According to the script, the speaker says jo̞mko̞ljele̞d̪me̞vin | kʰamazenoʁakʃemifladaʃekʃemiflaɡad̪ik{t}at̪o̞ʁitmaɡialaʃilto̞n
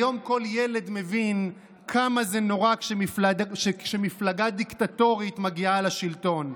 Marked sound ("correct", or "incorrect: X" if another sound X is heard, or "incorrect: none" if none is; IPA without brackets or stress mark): correct